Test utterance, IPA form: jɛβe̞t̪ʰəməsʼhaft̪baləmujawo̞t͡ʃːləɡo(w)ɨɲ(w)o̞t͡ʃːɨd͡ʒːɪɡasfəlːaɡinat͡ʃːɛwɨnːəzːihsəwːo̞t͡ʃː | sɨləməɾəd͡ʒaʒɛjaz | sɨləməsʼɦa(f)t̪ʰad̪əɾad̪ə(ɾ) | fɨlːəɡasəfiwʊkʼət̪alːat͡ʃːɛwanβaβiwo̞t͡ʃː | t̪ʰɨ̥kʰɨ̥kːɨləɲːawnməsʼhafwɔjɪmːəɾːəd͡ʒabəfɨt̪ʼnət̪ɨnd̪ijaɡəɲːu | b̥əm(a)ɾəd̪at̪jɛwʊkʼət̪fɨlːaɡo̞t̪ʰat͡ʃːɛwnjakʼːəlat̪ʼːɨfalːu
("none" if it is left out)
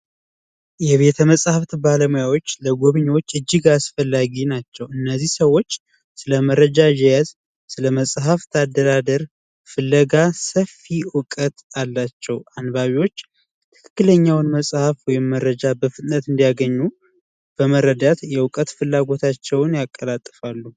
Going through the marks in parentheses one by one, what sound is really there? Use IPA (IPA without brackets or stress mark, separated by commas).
β, w, f, ɾ, ə